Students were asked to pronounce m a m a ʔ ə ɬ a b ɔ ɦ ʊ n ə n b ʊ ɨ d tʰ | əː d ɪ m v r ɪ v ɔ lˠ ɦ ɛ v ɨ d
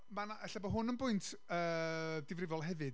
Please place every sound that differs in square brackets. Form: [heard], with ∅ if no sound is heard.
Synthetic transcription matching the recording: m a [n] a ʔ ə ɬ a b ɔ ɦ ʊ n ə n b ʊ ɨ [n] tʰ | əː d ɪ [∅] v r ɪ v ɔ lˠ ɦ ɛ v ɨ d

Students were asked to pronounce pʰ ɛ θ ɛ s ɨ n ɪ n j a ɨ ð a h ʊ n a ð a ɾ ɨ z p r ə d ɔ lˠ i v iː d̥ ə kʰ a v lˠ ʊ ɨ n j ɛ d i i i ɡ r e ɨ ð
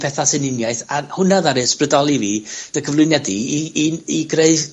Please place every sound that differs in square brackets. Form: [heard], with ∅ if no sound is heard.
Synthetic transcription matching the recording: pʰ ɛ θ [a] s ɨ n ɪ n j a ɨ [θ] a h ʊ n a ð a ɾ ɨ [s] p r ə d ɔ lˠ i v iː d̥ ə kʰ [ə] v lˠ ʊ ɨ n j ɛ d i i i ɡ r e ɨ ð

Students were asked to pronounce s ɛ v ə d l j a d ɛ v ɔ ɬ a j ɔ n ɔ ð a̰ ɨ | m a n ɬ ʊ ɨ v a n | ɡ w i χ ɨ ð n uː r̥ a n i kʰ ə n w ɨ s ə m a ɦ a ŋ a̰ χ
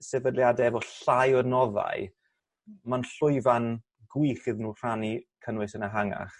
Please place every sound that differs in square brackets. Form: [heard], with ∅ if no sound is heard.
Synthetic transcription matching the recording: s ɛ v ə d l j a d ɛ v ɔ ɬ a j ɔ n ɔ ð a̰ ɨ | m a n ɬ ʊ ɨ v a n | ɡ w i χ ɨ ð n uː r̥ a n i kʰ ə n w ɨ s ə [n] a ɦ a ŋ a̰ χ

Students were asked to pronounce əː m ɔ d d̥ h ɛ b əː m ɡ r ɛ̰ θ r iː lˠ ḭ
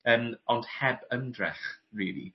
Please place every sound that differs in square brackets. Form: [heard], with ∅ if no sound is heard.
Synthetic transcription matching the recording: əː m ɔ [n] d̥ h ɛ b [ə] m [d] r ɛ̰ [χ] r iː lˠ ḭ

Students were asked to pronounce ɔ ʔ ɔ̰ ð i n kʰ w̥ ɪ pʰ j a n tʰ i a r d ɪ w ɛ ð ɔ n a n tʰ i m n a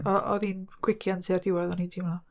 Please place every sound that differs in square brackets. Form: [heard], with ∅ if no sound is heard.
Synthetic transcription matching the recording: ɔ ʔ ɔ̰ ð i n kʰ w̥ ɪ [kʰ] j a n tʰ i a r d ɪ w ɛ ð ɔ n [i] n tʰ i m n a

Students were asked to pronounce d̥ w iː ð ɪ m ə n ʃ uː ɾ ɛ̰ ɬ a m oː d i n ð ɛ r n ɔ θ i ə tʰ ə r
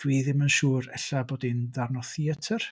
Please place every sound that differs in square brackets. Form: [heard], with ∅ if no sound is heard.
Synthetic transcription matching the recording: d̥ w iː ð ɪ m ə n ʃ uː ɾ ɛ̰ ɬ a [b] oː d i n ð [a] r n ɔ θ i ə tʰ ə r

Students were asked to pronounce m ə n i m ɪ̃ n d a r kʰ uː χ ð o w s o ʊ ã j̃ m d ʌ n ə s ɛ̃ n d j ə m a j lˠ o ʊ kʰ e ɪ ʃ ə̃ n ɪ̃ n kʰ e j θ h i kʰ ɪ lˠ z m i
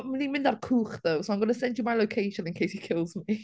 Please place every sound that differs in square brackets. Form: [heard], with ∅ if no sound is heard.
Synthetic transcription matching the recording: m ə n i m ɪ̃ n d a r kʰ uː χ ð o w s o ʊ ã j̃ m [ɡ] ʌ n ə s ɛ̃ n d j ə m a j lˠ o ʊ kʰ e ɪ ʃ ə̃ n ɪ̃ n kʰ e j [s] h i kʰ ɪ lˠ z m i

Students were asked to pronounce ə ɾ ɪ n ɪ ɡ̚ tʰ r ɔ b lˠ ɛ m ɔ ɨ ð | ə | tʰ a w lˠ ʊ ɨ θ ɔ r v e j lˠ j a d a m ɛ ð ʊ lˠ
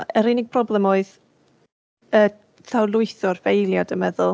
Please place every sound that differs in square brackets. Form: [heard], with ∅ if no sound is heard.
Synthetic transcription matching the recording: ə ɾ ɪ n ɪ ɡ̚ [pʰ] r ɔ b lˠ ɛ m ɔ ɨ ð | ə | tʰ a w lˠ ʊ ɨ θ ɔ r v e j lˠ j a d [ə] m ɛ ð ʊ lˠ

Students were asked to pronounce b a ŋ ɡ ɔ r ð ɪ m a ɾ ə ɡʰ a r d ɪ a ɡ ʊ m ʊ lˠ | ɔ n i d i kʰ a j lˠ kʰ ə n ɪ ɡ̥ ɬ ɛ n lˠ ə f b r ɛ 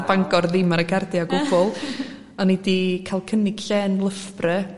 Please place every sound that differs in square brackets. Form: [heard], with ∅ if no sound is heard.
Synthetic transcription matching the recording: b a ŋ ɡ ɔ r ð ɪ m a ɾ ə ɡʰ a r d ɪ a ɡ ʊ [b] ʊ lˠ | ɔ n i d i kʰ a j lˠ kʰ ə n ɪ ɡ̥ ɬ ɛ n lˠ ə f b r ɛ

